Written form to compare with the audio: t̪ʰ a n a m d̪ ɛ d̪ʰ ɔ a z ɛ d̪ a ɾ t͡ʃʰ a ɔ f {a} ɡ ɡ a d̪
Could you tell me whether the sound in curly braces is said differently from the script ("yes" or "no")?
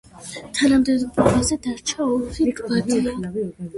yes